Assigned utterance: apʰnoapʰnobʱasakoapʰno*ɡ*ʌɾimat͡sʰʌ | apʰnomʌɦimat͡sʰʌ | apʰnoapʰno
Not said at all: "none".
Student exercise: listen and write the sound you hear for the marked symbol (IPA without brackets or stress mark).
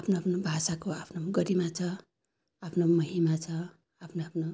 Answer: ɡ